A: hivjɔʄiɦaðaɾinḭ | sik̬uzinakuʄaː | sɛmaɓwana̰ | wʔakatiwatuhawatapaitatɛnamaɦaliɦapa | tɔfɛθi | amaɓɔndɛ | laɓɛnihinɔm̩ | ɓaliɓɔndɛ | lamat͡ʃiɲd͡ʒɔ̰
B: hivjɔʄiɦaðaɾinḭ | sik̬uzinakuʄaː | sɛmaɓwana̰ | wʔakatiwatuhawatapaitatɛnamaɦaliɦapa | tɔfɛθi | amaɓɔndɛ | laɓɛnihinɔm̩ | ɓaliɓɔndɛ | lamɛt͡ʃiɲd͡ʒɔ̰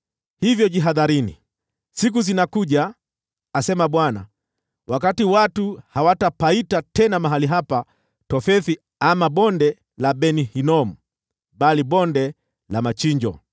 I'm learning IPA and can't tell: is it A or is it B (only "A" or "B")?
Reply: A